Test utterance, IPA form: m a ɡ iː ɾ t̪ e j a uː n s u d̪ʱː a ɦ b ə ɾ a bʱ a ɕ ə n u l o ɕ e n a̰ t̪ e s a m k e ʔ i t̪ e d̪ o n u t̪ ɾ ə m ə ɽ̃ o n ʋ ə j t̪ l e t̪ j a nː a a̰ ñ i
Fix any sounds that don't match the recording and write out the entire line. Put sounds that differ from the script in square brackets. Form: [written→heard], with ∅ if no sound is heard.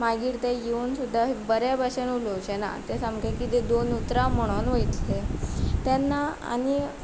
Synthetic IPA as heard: m a ɡ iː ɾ t̪ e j [a→e] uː n s u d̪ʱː a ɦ b ə ɾ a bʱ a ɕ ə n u l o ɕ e n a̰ t̪ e s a m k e [ʔ→k] i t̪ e d̪ o n u t̪ ɾ [ə→a] m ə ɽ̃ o n ʋ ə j t̪ l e t̪ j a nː a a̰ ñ i

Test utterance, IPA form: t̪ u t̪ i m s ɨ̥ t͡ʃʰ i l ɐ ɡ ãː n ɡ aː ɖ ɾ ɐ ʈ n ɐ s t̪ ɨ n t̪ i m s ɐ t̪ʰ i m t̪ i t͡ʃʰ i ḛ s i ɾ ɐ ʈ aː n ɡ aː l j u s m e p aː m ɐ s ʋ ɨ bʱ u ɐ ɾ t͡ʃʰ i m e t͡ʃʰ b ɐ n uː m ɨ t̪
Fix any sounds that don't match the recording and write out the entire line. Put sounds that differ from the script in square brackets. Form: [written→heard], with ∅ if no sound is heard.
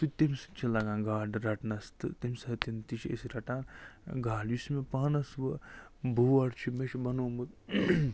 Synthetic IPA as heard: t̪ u t̪ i m s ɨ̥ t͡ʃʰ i l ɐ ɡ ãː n ɡ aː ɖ ɾ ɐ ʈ n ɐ s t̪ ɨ [n→∅] t̪ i m s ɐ [t̪ʰ→t̪] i [m→n] t̪ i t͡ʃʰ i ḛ s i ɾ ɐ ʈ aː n ɡ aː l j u s m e p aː [m→n] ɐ s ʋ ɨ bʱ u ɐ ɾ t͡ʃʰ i m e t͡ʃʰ b ɐ n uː m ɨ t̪

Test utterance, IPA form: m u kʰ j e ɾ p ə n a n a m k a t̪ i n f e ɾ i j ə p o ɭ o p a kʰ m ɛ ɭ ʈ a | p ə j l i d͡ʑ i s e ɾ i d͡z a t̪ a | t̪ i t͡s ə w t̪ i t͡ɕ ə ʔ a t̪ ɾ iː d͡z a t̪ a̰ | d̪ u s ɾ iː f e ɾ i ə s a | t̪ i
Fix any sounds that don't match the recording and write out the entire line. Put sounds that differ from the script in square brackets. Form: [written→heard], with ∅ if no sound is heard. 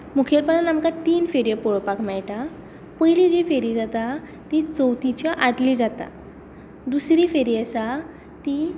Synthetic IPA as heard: m u kʰ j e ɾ p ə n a n a m k a t̪ [i→iː] n f e ɾ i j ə p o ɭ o p a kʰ m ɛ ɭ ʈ a | p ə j l i d͡ʑ i [s→f] e ɾ i d͡z a t̪ a | t̪ i t͡s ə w t̪ i t͡ɕ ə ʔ a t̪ [ɾ→l] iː d͡z a t̪ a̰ | d̪ u s ɾ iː f e ɾ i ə s a | t̪ i

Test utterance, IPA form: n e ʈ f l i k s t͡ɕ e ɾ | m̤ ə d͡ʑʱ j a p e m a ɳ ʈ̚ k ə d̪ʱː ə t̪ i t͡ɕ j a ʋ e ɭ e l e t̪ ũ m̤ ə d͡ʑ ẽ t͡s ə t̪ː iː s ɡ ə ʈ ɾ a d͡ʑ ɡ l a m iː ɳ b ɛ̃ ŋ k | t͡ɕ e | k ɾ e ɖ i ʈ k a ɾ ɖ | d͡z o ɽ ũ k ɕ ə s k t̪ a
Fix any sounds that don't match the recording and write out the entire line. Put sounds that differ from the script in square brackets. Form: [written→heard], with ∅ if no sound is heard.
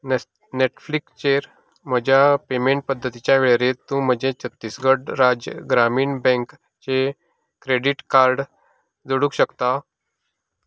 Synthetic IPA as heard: n e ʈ f l i k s t͡ɕ e ɾ | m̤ ə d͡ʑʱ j a p e m [a→e] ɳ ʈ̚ [k→p] ə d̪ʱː ə t̪ i t͡ɕ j a ʋ e ɭ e [l→ɾ] e t̪ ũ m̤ ə d͡ʑ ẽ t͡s ə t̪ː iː s ɡ ə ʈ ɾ a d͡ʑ ɡ [l→ɾ] a m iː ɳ b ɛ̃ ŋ k | t͡ɕ e | k ɾ e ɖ i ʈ k a ɾ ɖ | d͡z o ɽ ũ k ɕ ə [s→∅] k t̪ a

